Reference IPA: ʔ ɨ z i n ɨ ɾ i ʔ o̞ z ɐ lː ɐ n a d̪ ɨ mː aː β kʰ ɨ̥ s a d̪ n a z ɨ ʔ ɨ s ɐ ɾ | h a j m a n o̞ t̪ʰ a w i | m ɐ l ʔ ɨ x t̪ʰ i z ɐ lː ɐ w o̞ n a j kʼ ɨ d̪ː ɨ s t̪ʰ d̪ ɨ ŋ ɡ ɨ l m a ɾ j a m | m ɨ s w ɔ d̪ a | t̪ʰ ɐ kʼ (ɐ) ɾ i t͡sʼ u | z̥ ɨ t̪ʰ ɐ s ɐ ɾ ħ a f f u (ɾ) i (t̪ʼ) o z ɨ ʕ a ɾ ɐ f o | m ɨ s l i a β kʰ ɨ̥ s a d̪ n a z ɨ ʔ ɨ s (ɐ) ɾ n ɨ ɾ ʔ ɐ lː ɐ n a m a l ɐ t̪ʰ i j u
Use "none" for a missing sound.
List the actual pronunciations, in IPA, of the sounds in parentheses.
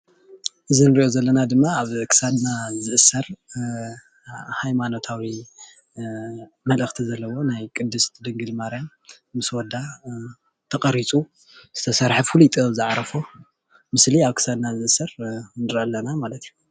ɐ, l, t̪ʼ, ɐ

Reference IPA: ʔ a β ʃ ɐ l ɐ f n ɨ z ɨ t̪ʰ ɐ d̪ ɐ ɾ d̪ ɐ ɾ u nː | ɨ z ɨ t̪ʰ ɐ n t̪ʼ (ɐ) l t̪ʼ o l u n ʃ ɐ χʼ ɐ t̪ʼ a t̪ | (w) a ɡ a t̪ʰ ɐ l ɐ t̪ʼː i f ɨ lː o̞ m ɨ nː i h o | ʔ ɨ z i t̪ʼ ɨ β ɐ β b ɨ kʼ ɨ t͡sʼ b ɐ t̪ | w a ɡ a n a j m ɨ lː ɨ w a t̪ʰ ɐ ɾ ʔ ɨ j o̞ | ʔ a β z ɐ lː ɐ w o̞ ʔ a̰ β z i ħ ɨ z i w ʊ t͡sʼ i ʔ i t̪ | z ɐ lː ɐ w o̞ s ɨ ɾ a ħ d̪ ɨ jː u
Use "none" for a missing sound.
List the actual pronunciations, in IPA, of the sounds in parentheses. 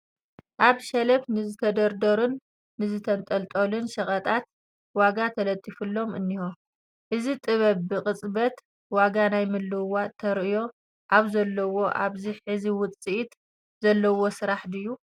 ɐ, w

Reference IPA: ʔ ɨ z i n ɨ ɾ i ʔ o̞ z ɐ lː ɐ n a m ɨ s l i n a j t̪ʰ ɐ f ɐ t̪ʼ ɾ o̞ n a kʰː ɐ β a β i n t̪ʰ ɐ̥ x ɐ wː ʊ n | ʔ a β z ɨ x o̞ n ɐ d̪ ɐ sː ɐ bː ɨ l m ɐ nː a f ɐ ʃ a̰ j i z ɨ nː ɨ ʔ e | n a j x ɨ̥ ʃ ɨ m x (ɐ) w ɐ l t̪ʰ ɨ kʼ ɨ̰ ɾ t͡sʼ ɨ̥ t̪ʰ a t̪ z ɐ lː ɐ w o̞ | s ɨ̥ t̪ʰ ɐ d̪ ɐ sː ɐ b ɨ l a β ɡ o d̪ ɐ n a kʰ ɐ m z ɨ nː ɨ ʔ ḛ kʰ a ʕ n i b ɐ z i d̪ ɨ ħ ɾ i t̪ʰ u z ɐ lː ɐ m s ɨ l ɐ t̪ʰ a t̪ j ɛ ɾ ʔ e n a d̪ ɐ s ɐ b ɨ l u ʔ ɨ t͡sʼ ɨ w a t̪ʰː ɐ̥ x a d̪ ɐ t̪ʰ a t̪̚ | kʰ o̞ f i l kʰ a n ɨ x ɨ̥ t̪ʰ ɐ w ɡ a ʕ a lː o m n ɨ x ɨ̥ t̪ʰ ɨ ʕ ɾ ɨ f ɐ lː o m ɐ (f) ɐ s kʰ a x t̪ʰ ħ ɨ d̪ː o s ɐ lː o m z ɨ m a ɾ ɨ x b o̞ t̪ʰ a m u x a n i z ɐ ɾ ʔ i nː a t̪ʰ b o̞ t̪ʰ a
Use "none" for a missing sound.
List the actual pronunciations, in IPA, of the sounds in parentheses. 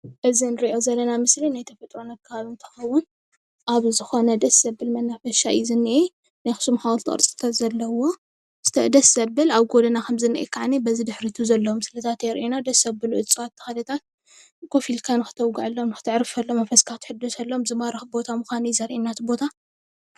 a, f

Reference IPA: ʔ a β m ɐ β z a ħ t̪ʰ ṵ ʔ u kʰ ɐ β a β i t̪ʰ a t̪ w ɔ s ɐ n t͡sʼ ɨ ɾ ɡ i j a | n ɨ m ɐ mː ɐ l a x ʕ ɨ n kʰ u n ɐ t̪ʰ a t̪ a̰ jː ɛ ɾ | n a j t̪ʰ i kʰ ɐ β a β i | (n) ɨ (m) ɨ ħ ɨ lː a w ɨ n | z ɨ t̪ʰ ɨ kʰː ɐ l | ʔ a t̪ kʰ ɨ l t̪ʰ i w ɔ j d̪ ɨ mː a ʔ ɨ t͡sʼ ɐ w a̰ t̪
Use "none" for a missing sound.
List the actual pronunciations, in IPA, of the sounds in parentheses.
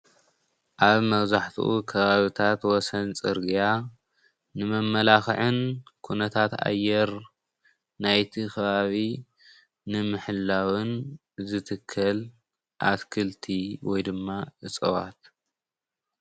n, m

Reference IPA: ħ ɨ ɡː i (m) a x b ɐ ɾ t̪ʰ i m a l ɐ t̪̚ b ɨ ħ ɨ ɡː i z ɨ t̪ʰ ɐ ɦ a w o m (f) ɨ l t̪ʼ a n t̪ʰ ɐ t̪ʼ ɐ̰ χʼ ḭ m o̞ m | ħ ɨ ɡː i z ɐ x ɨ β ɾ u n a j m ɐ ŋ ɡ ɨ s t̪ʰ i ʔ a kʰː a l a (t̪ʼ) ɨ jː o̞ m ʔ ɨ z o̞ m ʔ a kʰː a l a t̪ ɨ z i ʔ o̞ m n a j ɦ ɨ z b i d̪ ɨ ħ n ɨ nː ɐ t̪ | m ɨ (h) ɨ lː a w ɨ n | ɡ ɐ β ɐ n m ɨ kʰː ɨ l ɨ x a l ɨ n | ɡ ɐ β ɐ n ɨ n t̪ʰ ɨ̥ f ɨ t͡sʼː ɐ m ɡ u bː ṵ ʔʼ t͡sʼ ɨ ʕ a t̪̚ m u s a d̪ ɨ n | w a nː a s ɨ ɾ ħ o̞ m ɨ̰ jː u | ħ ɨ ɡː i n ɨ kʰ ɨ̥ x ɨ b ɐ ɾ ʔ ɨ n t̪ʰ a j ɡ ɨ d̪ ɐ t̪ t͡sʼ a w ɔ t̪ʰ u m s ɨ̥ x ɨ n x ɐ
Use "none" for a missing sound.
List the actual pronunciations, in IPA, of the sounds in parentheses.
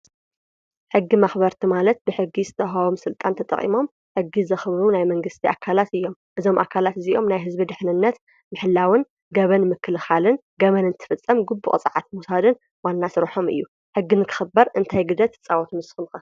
m, s, t̪, ħ

